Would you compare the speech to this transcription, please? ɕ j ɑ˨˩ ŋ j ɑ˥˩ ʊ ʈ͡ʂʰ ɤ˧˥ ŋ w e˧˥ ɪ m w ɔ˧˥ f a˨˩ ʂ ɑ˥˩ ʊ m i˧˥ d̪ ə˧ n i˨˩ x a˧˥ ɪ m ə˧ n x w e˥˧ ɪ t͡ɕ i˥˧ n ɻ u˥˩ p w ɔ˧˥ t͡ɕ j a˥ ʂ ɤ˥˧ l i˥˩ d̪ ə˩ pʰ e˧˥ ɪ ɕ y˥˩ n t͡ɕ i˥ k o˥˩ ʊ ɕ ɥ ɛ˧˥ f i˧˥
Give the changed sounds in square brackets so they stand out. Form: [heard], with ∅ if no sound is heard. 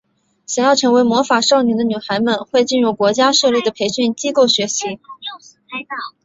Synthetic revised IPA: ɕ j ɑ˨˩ ŋ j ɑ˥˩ ʊ ʈ͡ʂʰ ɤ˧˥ ŋ w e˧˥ ɪ m w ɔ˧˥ f a˨˩ ʂ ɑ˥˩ ʊ [n] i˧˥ d̪ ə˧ n [y˨˩] x a˧˥ ɪ m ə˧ n x w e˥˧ ɪ t͡ɕ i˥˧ n ɻ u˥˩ [k] w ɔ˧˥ t͡ɕ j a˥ ʂ ɤ˥˧ l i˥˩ d̪ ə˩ pʰ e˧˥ ɪ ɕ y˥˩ n t͡ɕ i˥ k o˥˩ ʊ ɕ ɥ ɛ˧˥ [ɕ] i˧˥